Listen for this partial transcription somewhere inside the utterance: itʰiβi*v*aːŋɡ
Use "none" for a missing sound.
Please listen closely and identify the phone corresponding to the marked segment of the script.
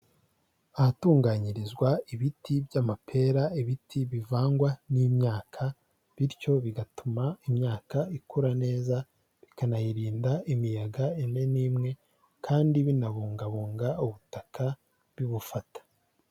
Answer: v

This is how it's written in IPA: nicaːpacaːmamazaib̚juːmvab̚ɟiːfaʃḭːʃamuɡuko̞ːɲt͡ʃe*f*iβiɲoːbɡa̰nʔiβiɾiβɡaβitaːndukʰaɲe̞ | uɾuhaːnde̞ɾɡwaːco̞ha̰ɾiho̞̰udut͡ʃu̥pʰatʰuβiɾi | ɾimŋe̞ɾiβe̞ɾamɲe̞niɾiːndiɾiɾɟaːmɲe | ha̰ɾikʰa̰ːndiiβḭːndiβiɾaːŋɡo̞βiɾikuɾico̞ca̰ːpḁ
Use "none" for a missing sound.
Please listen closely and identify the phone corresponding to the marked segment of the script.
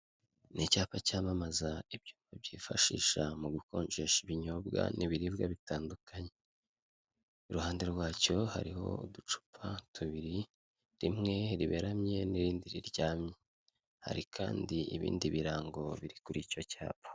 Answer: ʃ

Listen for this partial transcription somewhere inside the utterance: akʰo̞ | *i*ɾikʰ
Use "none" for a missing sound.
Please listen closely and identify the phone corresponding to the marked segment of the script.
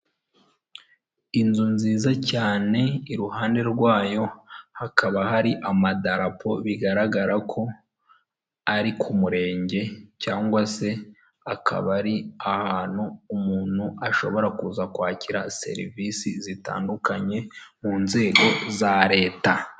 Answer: a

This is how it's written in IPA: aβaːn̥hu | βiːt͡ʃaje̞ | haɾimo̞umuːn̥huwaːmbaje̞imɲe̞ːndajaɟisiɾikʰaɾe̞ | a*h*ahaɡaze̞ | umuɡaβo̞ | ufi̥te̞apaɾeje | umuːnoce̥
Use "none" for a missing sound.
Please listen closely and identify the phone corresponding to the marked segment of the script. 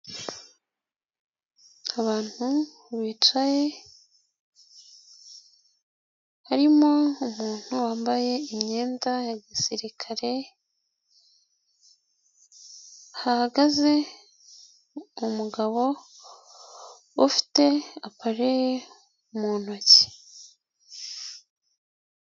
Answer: h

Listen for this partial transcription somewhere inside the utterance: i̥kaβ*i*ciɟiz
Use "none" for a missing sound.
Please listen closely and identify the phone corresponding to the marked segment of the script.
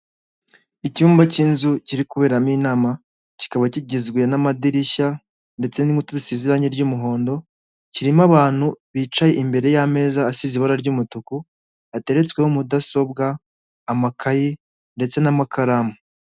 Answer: a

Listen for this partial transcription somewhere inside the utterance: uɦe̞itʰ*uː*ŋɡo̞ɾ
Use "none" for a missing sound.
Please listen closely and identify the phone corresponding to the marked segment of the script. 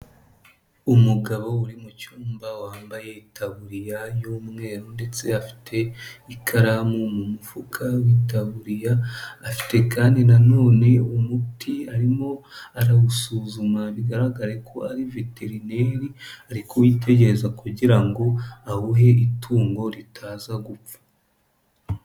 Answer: uː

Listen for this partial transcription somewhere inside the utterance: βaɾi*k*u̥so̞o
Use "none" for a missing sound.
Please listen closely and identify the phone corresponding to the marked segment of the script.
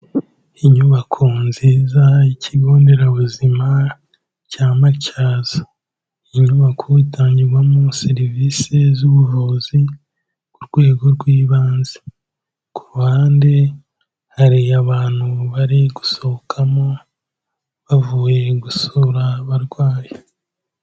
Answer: ɡ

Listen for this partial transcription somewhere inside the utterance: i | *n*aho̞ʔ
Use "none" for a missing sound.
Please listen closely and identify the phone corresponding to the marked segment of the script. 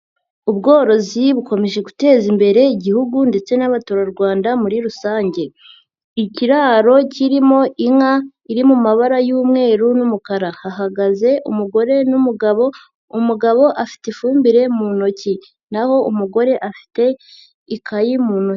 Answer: n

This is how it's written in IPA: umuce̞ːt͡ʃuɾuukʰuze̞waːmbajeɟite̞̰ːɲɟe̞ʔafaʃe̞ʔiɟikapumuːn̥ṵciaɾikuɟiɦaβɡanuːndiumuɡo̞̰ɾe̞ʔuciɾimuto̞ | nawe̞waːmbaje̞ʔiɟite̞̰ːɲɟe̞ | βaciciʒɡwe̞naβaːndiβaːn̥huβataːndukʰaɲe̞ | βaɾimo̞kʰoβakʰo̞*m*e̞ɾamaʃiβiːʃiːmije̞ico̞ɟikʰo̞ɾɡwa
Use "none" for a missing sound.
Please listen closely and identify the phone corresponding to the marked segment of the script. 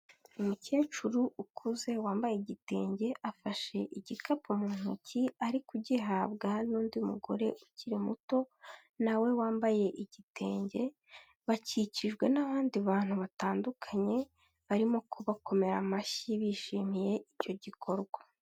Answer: m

